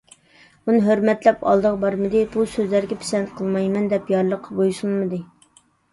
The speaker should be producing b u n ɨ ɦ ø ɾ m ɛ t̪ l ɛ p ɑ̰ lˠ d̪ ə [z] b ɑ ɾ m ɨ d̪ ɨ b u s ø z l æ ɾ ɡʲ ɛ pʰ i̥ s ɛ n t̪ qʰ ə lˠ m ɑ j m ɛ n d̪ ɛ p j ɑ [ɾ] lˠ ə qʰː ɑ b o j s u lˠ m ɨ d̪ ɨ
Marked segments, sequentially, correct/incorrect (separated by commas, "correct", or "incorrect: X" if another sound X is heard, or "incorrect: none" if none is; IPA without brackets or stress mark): incorrect: ʁ, correct